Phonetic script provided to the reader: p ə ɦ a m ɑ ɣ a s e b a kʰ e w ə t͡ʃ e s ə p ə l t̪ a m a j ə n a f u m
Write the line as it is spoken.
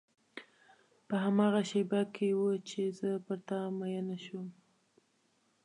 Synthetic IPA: p ə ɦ a m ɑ ɣ a ʃ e b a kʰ e w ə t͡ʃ e z ə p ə ɾ t̪ a m a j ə n a ʃ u m